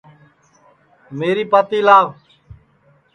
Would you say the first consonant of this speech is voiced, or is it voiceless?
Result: voiced